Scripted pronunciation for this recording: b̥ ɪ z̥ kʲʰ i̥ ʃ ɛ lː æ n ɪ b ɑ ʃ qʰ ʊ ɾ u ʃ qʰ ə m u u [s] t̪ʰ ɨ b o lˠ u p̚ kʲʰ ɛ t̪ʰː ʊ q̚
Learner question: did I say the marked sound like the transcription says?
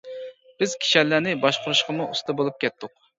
yes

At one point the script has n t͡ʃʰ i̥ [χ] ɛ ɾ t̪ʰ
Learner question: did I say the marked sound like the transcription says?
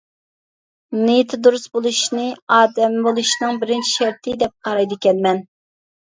no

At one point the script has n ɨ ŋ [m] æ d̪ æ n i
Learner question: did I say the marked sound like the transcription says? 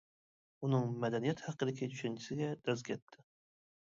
yes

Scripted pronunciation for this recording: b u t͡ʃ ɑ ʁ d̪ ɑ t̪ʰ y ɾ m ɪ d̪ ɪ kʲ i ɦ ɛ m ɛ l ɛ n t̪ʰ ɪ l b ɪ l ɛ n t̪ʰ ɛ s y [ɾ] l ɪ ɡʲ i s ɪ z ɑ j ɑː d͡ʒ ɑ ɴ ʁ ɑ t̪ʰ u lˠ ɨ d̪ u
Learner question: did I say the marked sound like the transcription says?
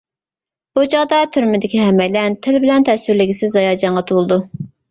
yes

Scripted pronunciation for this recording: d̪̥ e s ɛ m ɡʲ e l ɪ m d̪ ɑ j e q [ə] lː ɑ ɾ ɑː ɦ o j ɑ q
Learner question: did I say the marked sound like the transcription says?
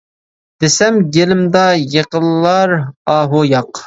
yes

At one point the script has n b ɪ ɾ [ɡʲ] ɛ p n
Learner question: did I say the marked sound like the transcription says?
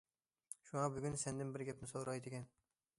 yes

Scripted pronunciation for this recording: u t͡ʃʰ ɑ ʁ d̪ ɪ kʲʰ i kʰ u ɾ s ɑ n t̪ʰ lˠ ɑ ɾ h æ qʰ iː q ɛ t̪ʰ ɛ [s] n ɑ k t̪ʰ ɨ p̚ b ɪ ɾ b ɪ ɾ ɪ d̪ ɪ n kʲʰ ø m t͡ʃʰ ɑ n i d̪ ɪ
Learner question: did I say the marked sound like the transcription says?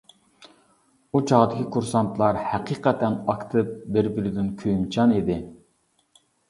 no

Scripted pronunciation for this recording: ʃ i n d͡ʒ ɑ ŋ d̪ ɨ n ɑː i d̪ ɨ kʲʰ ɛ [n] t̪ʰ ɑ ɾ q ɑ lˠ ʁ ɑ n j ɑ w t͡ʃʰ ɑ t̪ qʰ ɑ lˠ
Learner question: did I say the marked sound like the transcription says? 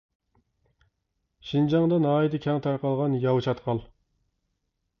no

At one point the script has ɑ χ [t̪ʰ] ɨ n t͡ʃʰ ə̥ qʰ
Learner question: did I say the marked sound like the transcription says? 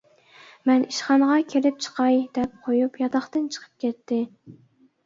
no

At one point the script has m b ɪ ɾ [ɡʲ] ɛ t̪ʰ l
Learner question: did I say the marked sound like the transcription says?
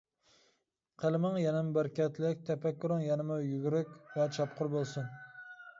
no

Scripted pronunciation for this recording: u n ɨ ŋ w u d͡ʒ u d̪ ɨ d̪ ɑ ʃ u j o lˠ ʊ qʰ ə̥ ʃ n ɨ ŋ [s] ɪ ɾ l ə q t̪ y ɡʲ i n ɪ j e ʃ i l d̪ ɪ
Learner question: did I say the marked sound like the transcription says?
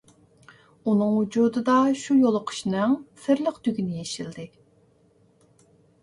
yes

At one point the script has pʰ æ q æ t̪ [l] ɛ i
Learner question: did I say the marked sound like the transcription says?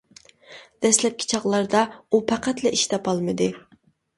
yes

